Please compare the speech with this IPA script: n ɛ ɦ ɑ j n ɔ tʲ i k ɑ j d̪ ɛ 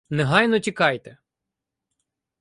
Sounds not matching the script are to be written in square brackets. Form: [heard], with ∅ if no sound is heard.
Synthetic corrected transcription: n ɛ ɦ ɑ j n ɔ tʲ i k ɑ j [t̪] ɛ